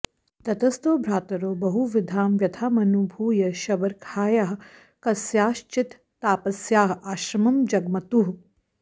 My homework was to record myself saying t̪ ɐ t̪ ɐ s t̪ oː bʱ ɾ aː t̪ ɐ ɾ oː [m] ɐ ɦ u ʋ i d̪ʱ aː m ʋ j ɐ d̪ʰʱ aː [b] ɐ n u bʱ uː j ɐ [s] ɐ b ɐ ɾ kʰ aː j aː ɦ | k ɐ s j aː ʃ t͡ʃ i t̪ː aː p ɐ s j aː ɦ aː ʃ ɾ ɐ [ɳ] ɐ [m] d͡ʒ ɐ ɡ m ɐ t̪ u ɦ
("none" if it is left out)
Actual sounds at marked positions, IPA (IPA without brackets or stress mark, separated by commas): b, m, ʃ, m, m